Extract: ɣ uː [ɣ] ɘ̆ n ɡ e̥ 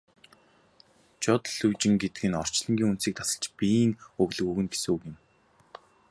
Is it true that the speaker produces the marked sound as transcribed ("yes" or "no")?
yes